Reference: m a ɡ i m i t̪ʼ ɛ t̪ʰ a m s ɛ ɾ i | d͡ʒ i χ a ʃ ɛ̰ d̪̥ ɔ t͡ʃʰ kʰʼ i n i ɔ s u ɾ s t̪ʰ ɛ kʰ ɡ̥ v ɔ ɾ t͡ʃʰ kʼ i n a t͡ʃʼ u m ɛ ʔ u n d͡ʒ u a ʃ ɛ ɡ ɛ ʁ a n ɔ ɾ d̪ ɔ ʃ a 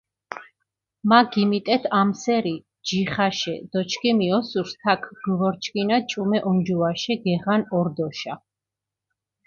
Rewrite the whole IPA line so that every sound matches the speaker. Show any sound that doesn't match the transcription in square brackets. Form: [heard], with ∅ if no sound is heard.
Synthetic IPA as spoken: m a ɡ i m i t̪ʼ ɛ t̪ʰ a m s ɛ ɾ i | d͡ʒ i χ a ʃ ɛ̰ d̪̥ ɔ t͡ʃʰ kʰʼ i [m] i ɔ s u ɾ s t̪ʰ [a] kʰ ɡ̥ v ɔ ɾ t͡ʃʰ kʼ i n a t͡ʃʼ u m ɛ ʔ [ɔ] n d͡ʒ u a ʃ ɛ ɡ ɛ ʁ a n ɔ ɾ d̪ ɔ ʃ a